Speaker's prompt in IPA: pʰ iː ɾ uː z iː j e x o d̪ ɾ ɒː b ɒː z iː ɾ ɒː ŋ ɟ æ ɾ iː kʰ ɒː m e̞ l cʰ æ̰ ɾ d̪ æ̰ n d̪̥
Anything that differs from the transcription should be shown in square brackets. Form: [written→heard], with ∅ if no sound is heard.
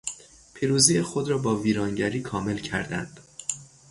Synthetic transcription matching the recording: pʰ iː ɾ uː z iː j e x o d̪ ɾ ɒː b ɒː [z→v] iː ɾ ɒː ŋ ɟ æ ɾ iː kʰ ɒː m e̞ l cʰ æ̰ ɾ d̪ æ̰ n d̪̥

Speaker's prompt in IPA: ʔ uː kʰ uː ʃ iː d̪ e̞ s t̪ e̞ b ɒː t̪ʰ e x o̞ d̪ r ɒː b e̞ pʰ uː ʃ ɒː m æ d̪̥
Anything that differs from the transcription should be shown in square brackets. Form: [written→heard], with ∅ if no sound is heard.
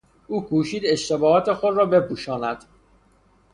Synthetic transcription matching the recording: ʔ uː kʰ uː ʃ iː d̪ e̞ [s→ʃ] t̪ e̞ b ɒː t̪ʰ e x o̞ d̪ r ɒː b e̞ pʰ uː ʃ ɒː [m→n] æ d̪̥

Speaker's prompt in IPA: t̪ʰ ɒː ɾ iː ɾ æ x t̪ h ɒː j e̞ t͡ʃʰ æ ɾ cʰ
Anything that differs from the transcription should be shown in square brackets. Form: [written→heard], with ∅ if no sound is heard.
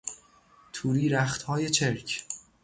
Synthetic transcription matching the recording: t̪ʰ [ɒː→uː] ɾ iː ɾ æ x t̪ h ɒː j e̞ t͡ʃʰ [æ→e] ɾ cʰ

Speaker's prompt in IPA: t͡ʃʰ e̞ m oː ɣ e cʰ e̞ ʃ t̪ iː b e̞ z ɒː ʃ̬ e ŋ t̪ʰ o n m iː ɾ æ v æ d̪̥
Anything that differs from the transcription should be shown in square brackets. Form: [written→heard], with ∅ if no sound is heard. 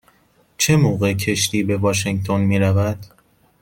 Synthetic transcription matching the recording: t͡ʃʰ e̞ m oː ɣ e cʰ e̞ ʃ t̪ iː b e̞ [z→v] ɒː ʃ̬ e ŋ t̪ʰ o n m iː ɾ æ v æ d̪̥

